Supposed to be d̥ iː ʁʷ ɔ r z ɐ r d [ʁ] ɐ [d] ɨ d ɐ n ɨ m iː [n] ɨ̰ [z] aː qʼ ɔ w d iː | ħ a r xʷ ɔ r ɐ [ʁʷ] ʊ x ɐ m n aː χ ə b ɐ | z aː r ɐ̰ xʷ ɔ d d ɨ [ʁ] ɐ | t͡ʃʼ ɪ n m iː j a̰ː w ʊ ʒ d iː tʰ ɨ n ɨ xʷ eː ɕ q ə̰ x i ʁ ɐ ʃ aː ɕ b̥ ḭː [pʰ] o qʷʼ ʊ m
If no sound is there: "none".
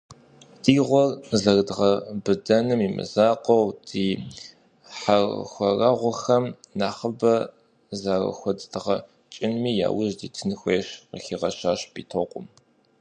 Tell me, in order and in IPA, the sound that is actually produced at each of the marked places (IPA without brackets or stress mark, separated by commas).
ʁ, b, m, z, ʁʷ, ʁ, tʰ